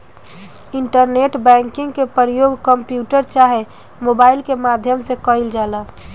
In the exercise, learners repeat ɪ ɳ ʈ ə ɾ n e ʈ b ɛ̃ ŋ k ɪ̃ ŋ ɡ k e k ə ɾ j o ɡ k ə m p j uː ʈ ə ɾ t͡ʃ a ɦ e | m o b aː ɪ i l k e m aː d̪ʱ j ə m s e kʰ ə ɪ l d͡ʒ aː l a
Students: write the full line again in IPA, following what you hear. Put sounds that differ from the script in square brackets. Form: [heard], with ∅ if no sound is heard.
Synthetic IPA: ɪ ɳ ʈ ə ɾ n e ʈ b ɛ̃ ŋ k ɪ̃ ŋ ɡ k e [p] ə ɾ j o ɡ k ə m p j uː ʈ ə ɾ t͡ʃ a ɦ e | m o b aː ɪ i l k e m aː d̪ʱ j ə m s e [k] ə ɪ l d͡ʒ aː l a